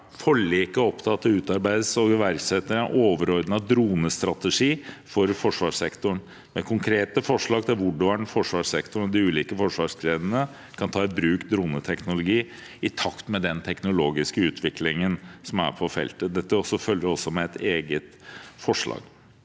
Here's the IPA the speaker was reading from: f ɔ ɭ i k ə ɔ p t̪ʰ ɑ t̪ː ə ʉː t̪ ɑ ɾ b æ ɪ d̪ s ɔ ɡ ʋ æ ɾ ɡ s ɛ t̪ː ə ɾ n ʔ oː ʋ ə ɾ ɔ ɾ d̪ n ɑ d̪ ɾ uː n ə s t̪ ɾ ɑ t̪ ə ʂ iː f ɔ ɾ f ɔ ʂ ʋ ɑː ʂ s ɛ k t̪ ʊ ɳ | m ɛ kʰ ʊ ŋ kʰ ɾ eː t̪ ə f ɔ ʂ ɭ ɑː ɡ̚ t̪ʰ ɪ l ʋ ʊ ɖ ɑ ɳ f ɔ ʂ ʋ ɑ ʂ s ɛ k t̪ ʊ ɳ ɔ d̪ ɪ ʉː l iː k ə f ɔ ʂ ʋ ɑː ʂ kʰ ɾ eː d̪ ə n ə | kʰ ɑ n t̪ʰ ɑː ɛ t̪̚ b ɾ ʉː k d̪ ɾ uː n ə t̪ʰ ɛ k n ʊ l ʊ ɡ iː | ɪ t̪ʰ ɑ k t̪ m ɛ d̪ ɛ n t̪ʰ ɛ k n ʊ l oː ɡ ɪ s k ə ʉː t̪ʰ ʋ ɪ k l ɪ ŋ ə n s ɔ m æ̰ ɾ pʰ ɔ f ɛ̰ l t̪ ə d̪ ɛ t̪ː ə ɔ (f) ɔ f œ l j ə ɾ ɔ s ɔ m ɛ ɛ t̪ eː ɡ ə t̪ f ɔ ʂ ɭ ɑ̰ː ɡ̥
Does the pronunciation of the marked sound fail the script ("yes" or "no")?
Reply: yes